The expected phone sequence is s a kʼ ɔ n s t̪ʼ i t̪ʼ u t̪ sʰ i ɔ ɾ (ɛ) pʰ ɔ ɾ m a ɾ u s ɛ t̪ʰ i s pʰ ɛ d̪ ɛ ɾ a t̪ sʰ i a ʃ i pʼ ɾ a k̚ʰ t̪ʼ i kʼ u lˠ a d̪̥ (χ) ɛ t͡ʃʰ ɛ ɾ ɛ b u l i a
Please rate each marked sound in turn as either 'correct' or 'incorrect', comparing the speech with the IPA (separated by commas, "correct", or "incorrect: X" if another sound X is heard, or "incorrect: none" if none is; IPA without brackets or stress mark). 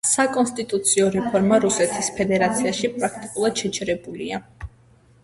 correct, incorrect: ʃ